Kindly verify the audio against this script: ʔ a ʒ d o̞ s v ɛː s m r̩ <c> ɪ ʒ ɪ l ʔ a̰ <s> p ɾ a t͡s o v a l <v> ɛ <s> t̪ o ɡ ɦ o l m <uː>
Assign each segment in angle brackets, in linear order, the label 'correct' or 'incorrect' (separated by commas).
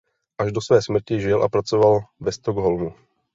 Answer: correct, incorrect, correct, correct, incorrect